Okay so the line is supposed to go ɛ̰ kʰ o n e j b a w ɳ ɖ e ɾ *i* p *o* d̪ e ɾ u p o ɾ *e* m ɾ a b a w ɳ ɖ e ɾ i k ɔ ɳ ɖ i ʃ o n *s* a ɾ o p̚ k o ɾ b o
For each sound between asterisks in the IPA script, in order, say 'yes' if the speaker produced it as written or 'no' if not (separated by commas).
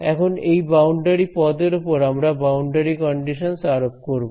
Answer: yes, no, no, yes